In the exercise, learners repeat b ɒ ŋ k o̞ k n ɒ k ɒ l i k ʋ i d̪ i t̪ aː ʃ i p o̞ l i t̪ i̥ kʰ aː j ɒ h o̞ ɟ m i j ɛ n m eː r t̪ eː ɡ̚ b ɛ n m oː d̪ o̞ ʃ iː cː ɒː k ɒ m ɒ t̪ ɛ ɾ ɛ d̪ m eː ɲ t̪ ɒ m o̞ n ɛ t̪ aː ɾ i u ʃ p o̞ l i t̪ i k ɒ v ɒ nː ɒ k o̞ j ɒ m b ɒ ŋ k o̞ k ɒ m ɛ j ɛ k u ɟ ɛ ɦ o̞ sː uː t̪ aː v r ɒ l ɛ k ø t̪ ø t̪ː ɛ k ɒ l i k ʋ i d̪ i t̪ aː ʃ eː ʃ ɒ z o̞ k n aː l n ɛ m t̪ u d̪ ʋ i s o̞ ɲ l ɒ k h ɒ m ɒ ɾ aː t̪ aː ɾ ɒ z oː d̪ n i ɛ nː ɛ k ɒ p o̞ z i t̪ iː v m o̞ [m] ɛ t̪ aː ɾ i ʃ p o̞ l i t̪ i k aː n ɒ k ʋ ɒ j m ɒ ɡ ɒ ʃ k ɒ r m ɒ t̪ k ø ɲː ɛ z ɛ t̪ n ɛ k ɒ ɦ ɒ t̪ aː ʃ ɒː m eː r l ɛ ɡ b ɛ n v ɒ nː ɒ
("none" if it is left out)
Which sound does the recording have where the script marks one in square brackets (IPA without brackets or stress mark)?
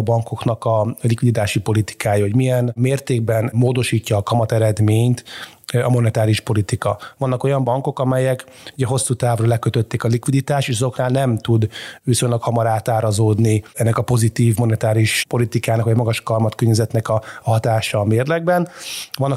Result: n